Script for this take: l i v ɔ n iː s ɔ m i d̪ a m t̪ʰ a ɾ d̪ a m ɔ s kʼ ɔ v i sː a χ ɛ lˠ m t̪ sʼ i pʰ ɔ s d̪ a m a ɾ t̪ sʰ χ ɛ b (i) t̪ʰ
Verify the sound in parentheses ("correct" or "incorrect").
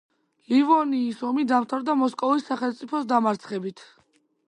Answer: correct